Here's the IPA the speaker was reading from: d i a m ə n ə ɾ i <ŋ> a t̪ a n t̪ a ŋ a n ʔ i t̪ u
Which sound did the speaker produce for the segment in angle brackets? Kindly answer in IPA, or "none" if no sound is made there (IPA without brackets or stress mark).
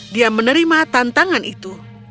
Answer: m